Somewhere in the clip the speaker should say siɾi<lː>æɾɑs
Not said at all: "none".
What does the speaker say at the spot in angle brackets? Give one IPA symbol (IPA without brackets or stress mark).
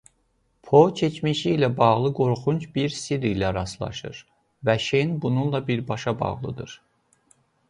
l